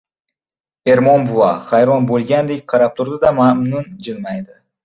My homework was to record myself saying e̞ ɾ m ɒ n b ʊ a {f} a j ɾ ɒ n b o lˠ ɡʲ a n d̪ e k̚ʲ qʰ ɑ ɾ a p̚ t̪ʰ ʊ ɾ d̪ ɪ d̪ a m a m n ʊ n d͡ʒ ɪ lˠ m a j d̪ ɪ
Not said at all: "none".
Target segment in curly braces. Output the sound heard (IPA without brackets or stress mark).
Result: χ